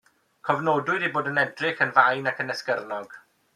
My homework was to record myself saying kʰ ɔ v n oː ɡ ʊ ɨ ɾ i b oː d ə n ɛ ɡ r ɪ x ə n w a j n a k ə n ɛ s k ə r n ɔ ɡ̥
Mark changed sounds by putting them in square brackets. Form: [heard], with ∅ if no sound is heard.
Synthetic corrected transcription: kʰ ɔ v n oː [d] ʊ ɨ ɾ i b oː d ə n ɛ [d] r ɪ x ə n [v] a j n a k ə n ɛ s k ə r n ɔ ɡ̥